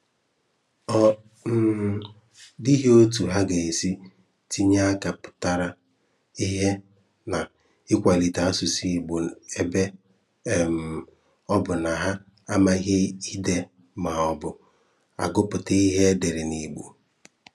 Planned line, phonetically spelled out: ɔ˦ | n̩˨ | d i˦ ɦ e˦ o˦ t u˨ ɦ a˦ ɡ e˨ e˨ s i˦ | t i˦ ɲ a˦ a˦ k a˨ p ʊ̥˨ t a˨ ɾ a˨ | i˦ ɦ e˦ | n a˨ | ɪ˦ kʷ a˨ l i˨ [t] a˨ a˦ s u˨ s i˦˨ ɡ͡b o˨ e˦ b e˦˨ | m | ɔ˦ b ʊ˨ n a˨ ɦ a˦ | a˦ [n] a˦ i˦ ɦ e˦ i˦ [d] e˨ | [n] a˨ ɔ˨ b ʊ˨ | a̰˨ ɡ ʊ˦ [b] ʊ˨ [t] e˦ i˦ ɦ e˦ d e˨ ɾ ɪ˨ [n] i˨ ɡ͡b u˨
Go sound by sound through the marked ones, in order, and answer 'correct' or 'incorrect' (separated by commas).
correct, incorrect, correct, incorrect, incorrect, correct, correct